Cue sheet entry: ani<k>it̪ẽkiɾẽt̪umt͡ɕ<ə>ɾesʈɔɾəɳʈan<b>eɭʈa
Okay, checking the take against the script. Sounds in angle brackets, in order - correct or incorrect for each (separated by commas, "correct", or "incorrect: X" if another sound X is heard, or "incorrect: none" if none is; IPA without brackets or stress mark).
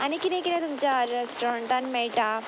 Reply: correct, incorrect: a, incorrect: m